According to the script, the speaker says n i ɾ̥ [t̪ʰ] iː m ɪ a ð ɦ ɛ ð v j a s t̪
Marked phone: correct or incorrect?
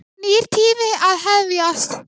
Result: correct